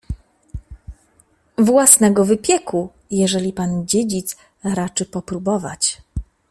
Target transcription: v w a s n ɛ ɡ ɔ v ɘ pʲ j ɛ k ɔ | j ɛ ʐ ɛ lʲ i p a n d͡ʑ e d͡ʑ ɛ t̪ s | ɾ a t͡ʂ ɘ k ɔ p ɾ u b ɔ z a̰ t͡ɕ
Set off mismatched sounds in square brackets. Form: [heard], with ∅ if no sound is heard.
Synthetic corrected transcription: v w a s n ɛ ɡ ɔ v ɘ pʲ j ɛ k [u] | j ɛ ʐ ɛ lʲ i p a n d͡ʑ e d͡ʑ [i] t̪ s | ɾ a t͡ʂ ɘ [p] ɔ p ɾ u b ɔ [v] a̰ t͡ɕ